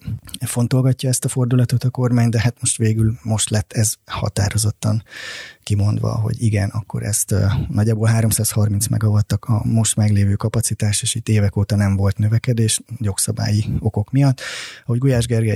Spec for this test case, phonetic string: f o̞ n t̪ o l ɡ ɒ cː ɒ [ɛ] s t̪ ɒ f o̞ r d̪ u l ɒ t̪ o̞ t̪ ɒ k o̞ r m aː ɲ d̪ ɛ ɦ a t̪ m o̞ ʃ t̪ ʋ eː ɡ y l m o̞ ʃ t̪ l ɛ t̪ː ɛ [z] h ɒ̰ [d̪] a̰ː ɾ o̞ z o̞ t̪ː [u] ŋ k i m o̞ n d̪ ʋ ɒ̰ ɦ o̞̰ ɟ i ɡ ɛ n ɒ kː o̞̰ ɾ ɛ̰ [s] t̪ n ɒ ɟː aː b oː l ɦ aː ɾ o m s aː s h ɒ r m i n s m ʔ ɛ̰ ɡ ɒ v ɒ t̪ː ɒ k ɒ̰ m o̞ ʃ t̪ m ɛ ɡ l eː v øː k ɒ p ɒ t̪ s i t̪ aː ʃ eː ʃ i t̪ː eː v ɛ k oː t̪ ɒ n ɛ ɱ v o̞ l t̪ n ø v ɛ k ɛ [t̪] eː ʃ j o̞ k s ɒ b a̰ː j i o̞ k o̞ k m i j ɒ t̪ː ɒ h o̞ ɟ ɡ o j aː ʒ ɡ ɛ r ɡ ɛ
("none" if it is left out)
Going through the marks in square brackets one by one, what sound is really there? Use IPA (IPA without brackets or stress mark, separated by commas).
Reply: ɛ, z, t̪, ɒ, s, d̪